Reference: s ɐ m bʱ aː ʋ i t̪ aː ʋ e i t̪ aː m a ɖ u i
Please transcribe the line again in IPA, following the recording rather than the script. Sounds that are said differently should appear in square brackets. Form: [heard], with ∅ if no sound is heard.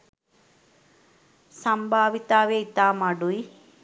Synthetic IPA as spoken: s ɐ m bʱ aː ʋ i t̪ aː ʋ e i t̪ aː m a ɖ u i